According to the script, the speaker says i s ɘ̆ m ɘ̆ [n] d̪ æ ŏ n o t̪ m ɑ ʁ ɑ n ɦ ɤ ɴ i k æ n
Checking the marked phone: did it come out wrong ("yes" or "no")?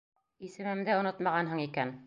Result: yes